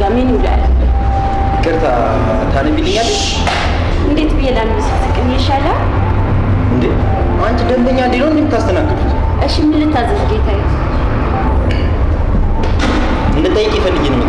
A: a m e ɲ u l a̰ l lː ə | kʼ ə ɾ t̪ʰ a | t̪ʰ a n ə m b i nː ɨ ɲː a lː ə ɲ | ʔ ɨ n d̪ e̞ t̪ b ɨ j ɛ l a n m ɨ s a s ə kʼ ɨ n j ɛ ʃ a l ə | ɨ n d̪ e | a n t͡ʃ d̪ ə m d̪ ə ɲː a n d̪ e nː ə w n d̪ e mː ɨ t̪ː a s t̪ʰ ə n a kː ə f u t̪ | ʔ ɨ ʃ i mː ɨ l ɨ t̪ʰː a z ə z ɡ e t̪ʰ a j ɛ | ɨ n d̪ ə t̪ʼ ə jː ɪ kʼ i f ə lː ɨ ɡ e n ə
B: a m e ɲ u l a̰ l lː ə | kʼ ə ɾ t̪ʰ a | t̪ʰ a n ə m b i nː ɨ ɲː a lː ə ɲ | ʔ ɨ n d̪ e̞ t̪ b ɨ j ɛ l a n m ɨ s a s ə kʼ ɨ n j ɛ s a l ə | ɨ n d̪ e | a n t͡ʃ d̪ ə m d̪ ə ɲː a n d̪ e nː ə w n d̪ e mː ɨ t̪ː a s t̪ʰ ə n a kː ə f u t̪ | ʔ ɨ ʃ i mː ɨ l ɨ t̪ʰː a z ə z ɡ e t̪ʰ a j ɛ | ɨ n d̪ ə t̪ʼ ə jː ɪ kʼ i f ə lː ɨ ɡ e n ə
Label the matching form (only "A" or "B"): A